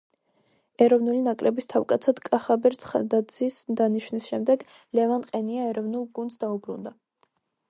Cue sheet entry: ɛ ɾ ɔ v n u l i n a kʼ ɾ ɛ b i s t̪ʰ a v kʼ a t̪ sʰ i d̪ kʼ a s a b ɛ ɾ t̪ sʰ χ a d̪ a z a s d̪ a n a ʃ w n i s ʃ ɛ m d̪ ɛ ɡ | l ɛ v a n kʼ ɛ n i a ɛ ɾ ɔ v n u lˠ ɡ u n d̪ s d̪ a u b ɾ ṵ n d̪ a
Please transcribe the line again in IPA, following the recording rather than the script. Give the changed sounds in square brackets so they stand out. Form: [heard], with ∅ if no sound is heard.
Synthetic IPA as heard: ɛ ɾ ɔ v n u l i n a kʼ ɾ ɛ b i s t̪ʰ a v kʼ a t̪ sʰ [a] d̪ kʼ a [χ] a b ɛ ɾ t̪ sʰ χ a d̪ a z [i] s d̪ a n [i] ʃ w n i s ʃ ɛ m d̪ ɛ ɡ | l ɛ v a n [qʼ] ɛ n i a ɛ ɾ ɔ v n u lˠ ɡ u n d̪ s d̪ a u b ɾ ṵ n d̪ a